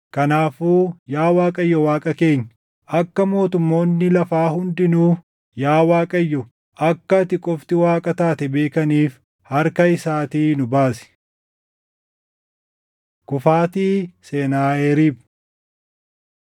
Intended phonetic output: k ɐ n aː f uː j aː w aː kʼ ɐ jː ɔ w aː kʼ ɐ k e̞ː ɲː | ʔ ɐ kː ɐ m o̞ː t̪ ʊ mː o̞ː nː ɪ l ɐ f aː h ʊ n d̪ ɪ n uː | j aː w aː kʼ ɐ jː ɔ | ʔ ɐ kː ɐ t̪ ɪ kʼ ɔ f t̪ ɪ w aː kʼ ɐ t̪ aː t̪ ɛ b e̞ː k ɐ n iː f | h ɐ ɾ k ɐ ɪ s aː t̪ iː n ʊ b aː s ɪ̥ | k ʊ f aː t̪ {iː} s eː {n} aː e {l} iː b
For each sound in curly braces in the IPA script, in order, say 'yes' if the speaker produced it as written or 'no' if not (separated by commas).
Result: yes, yes, no